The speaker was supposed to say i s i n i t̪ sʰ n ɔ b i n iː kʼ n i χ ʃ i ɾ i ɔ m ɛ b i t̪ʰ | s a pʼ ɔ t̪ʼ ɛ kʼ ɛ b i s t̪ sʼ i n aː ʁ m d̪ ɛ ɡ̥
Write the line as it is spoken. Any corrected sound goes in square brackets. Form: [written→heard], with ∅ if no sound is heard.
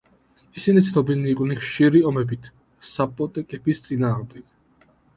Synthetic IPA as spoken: i s i n i t̪ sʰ n ɔ b i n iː kʼ n i χ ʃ i ɾ i ɔ m ɛ b i t̪ʰ | s a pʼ ɔ t̪ʼ ɛ kʼ ɛ b i s t̪ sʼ i n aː ʁ m d̪ ɛ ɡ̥